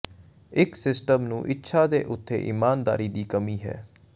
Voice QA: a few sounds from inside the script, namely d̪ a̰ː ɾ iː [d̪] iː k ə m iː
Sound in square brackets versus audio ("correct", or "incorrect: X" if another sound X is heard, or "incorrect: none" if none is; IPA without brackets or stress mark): correct